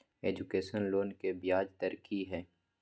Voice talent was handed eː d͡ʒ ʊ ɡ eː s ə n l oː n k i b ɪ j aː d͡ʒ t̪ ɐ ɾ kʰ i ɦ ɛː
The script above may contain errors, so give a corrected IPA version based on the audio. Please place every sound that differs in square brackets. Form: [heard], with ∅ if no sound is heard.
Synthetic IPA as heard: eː d͡ʒ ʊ [k] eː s ə n l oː n k [e] b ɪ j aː d͡ʒ t̪ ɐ ɾ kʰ i ɦ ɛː